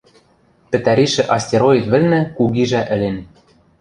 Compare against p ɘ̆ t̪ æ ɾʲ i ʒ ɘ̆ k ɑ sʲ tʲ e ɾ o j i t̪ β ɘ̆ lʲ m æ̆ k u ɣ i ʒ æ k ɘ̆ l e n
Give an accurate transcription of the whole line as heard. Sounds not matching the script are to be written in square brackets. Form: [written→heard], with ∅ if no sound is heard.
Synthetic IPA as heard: p ɘ̆ t̪ æ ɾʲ i [ʒ→ʃ] ɘ̆ [k→ʔ] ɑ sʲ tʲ e ɾ o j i t̪ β ɘ̆ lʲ [m→n] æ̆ k u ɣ i ʒ æ [k→ʔ] ɘ̆ l e n